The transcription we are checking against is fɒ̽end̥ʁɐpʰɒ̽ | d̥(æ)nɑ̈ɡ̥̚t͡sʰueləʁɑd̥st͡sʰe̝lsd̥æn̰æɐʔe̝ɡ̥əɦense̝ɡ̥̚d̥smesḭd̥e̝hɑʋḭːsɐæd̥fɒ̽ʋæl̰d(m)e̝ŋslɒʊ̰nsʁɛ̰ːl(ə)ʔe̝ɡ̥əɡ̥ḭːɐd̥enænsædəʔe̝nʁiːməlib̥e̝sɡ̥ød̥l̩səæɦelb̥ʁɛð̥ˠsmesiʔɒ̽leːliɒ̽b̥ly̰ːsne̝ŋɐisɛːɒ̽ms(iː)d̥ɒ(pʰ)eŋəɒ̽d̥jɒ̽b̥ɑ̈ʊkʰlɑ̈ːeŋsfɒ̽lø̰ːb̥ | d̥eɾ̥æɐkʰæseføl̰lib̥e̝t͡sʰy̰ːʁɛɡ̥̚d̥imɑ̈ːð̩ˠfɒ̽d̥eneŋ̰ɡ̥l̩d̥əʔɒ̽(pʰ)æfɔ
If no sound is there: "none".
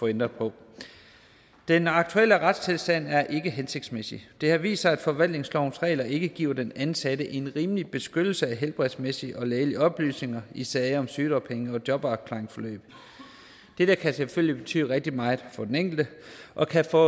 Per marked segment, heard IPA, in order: e, n, ɐ, yː, pʰ, kʰ

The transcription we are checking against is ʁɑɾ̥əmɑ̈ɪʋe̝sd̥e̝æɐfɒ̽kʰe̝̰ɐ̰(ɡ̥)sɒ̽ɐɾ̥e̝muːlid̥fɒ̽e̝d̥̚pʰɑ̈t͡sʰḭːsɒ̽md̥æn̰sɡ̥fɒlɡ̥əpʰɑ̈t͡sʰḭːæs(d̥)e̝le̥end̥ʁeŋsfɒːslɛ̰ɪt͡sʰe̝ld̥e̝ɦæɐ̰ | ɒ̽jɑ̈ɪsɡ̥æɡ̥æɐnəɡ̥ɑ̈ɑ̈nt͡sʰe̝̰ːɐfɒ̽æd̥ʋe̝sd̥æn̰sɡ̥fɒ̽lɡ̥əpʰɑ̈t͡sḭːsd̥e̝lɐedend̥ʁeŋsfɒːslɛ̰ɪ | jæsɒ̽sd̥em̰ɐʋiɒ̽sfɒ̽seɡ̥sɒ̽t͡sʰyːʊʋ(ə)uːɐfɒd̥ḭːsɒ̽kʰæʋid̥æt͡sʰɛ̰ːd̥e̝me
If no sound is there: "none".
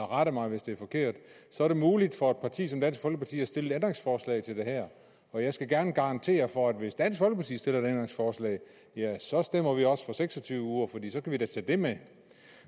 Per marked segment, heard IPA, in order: d̥, d̥, ə

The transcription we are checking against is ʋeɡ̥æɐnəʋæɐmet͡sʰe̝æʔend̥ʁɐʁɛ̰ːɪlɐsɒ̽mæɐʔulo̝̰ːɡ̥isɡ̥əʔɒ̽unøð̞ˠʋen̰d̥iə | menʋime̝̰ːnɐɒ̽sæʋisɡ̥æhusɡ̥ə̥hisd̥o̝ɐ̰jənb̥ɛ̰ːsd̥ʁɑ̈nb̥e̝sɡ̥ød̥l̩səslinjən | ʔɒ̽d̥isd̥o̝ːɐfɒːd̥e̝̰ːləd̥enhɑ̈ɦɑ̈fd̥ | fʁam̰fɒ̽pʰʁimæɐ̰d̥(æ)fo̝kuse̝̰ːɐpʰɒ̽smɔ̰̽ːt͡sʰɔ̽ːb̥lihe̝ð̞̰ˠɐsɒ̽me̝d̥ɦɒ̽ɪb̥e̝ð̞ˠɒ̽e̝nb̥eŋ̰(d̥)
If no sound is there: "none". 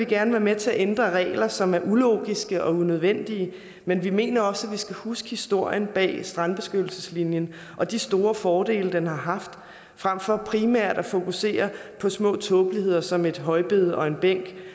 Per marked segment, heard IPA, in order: æ, ɡ̥

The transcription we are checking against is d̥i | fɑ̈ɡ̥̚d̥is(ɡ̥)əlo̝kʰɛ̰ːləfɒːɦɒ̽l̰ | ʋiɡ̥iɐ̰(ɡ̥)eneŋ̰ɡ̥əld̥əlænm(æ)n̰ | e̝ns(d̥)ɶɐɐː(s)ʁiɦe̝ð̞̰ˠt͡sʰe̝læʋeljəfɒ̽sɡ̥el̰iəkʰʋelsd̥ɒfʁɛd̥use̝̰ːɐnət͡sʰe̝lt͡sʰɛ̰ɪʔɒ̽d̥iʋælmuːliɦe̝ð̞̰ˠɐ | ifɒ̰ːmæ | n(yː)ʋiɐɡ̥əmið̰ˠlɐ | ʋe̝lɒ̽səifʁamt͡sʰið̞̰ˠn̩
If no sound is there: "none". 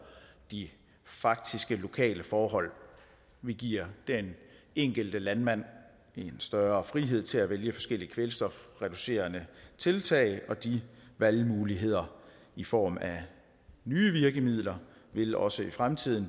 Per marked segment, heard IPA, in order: ɡ̥, d̥, æ, d̥, f, yː

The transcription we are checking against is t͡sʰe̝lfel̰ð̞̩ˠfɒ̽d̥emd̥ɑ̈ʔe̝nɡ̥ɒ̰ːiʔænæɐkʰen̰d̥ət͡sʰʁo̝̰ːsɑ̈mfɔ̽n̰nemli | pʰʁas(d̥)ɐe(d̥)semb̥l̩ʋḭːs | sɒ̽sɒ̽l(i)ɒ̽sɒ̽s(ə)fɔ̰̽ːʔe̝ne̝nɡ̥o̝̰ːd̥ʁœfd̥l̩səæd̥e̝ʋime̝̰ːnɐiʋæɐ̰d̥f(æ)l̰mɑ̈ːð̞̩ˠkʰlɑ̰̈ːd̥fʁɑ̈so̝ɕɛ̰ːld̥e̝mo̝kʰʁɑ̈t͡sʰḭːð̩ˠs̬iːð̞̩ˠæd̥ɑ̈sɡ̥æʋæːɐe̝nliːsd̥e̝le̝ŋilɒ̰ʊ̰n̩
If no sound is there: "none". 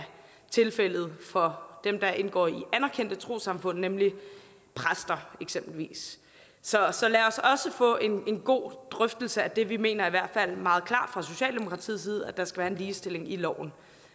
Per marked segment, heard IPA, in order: d̥, ɡ̥, æ, ə, æ

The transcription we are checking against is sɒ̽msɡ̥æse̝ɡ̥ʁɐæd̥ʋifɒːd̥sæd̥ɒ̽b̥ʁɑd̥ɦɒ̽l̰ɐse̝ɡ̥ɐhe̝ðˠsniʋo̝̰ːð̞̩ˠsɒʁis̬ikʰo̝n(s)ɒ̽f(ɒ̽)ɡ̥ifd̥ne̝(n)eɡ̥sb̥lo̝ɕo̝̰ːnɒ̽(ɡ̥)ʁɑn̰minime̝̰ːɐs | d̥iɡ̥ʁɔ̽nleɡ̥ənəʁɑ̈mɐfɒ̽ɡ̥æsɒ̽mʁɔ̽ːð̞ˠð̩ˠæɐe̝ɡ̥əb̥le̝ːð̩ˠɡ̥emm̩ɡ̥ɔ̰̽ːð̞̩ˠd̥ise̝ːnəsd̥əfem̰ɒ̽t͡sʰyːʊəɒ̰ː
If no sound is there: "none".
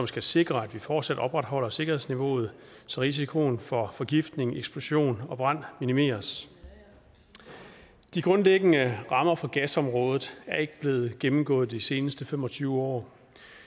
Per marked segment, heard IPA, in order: f, ɒ̽, ŋ, b̥

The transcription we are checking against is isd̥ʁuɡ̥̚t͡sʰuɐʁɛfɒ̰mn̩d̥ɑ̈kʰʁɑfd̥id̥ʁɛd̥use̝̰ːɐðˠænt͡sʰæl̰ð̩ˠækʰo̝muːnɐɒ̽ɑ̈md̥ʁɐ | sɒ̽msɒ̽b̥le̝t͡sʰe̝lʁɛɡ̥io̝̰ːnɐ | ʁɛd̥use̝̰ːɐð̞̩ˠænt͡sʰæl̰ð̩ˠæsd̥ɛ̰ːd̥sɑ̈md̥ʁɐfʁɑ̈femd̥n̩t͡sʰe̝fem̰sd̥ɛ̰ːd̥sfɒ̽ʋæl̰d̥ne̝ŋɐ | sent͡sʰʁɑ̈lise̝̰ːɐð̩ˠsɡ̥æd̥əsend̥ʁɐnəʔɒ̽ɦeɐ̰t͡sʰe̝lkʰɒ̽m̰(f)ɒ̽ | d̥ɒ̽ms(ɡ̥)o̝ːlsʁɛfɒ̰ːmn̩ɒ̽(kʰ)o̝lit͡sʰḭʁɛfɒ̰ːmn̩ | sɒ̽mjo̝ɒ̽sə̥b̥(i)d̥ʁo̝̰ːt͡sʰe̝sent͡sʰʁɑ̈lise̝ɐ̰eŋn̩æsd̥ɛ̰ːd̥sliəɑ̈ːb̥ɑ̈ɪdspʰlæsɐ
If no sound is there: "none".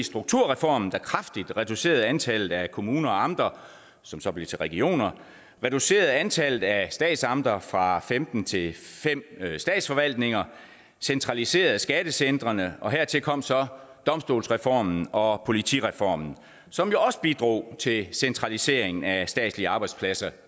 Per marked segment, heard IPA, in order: s, d̥, pʰ, i

